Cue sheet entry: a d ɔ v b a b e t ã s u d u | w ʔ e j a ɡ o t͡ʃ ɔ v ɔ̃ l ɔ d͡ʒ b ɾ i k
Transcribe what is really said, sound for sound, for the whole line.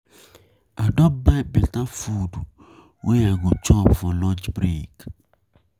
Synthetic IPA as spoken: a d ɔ b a b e t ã f u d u | w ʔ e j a ɡ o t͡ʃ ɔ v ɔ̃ l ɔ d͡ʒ b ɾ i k